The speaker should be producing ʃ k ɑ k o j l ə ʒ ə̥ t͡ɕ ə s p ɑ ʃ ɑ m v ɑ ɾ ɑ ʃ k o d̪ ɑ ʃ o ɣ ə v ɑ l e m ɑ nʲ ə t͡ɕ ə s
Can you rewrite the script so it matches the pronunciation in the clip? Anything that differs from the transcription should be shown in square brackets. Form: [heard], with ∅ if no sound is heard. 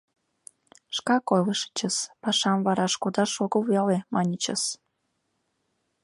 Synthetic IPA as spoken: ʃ k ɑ k o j l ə [ʃ] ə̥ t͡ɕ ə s p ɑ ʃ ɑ m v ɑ ɾ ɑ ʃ k o d̪ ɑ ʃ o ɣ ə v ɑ l e m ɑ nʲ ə t͡ɕ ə s

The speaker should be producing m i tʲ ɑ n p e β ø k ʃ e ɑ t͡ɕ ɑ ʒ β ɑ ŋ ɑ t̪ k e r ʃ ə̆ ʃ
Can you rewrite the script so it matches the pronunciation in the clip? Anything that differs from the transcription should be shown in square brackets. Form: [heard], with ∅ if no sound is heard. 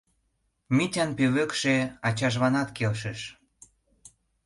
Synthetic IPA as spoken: m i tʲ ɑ n p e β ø k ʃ e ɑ t͡ɕ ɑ ʒ β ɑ [n] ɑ t̪ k e [l] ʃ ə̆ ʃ

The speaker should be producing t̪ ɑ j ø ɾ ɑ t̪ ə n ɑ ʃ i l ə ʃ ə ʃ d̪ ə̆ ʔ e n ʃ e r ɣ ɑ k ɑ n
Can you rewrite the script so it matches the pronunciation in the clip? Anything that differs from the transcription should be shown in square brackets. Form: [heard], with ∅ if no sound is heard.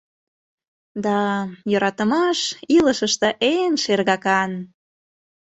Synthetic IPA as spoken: [d̪] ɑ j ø ɾ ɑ t̪ ə [m] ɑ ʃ i l ə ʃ ə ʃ [t̪] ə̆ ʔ e n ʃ e r ɣ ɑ k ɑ n

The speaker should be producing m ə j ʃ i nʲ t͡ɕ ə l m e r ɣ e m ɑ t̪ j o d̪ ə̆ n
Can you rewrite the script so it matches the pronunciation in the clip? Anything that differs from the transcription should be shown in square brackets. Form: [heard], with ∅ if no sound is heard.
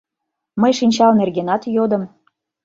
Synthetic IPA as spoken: m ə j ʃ i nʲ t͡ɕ [ɑ] l [n] e r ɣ e [n] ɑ t̪ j o d̪ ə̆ [m]

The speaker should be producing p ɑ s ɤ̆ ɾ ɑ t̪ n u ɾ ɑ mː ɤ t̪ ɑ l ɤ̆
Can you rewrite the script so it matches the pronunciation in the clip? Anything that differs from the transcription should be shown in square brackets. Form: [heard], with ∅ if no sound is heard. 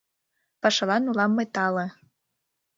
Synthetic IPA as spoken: p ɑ [ʃ] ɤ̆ [l] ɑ [∅] n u [l] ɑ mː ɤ t̪ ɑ l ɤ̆

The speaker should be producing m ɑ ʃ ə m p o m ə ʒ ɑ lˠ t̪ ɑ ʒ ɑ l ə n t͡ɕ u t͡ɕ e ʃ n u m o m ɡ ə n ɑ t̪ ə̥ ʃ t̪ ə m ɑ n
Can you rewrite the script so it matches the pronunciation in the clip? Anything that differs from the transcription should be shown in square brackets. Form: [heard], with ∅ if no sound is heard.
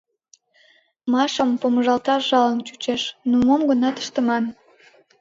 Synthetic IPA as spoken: m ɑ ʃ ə m p o m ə ʒ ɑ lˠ t̪ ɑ ʒ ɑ l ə n t͡ɕ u t͡ɕ e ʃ n u m o m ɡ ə n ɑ t̪ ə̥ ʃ t̪ ə m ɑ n

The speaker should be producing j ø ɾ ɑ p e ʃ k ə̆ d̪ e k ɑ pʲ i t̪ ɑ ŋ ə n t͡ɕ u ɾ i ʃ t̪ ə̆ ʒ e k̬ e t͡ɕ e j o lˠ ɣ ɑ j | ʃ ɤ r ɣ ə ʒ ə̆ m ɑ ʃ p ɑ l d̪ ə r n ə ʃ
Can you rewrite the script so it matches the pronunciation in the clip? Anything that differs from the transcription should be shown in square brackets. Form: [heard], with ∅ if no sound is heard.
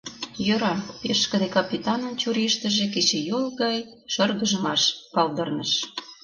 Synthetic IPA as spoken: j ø ɾ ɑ p e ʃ k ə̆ d̪ e k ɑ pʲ i t̪ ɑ [n] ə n t͡ɕ u ɾ i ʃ t̪ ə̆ ʒ e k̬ e t͡ɕ e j o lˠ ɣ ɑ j | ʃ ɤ r ɣ ə ʒ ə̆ m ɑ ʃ p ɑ l d̪ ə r n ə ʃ

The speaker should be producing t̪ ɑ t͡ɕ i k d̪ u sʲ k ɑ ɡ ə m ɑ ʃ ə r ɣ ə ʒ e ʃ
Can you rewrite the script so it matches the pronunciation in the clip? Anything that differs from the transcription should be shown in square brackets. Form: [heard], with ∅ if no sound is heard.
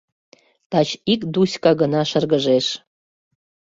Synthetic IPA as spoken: t̪ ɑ t͡ɕ i k d̪ u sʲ k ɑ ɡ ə [n] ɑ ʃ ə r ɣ ə ʒ e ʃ

